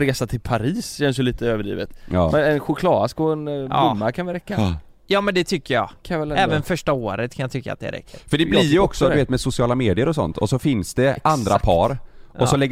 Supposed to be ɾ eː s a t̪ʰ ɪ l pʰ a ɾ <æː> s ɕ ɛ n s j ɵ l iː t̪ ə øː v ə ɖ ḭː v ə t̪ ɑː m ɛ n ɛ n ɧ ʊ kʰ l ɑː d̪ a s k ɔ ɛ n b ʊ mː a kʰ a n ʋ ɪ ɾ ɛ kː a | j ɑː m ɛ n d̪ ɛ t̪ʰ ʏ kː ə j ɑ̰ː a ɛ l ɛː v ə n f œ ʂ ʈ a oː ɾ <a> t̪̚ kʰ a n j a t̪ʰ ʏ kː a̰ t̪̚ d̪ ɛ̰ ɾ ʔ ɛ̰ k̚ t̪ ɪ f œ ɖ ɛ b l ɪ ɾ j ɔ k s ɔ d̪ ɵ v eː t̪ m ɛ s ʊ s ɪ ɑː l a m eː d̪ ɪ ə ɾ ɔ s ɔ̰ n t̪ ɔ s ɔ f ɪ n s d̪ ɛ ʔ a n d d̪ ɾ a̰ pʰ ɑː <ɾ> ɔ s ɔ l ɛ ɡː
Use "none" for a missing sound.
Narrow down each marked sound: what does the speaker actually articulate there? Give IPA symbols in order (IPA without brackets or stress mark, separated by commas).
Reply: iː, ə, ɾ